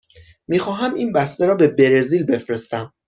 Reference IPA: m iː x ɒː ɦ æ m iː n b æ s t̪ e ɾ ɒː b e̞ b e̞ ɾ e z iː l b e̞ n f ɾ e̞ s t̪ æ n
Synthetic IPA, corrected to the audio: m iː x ɒː ɦ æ m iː n b æ s t̪ e ɾ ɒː b e̞ b e̞ ɾ e z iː l b e̞ f ɾ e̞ s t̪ æ m